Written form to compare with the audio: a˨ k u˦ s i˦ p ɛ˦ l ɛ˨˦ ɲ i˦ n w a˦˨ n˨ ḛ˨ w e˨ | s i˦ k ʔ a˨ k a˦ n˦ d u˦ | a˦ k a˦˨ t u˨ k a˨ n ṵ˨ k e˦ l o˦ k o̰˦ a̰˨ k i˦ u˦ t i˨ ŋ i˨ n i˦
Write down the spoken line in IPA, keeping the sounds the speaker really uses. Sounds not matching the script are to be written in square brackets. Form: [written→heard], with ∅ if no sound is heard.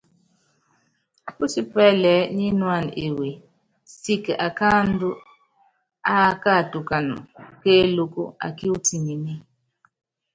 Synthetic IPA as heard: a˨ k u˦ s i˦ p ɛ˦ l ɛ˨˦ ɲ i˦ n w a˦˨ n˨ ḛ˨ w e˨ | s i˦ k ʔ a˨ k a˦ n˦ d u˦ | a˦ k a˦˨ t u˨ k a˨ n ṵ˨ k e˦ l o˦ k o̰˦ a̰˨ k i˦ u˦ t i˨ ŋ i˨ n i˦